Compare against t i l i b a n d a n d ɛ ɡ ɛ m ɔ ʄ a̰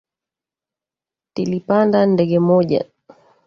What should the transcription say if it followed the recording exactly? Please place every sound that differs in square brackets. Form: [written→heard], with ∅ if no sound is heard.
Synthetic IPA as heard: t i l i [b→p] a n d a n d ɛ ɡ ɛ m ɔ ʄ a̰